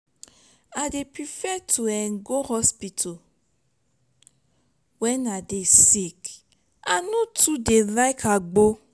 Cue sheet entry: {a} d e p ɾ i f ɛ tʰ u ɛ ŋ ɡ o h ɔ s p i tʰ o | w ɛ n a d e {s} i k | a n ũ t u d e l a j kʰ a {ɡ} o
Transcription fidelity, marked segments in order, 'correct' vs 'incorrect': correct, correct, incorrect

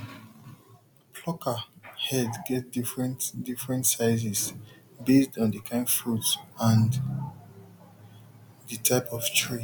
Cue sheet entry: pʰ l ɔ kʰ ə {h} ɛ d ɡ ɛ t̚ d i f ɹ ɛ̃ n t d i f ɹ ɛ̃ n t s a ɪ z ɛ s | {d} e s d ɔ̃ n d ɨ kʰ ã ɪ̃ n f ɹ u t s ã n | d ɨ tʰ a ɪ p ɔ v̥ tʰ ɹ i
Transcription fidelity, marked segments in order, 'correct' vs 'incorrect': correct, incorrect

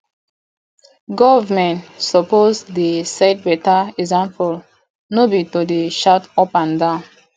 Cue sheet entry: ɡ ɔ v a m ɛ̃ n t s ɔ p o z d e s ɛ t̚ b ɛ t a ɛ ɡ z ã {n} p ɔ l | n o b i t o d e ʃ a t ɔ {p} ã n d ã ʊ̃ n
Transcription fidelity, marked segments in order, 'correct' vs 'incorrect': incorrect, correct

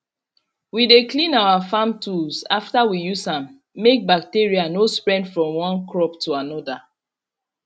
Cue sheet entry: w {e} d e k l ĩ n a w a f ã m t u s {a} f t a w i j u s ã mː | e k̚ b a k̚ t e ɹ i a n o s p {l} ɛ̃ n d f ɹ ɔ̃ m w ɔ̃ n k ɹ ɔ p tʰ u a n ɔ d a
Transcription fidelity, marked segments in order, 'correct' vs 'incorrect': incorrect, correct, incorrect

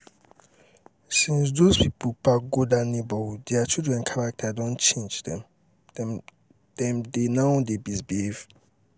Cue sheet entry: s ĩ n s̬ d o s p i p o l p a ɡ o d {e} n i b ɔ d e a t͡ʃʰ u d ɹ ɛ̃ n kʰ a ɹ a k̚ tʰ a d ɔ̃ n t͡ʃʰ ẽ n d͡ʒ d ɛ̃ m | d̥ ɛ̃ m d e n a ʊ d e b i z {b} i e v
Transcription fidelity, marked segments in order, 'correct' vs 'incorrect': incorrect, correct

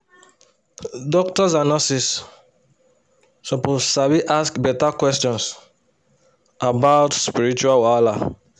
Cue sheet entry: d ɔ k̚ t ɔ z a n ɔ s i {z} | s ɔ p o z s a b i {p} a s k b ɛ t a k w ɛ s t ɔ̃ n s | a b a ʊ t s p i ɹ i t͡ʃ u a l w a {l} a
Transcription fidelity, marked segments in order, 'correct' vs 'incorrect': incorrect, incorrect, correct

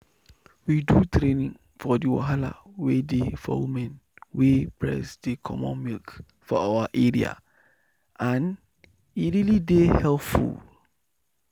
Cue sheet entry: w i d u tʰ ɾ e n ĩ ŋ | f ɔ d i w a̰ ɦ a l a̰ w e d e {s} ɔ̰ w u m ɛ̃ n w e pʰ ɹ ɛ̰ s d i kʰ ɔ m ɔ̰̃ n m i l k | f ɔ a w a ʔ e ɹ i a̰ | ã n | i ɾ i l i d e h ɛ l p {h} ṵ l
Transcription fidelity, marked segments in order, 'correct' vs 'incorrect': incorrect, incorrect

